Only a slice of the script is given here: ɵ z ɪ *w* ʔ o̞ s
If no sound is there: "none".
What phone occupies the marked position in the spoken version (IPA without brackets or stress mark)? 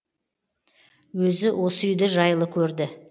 w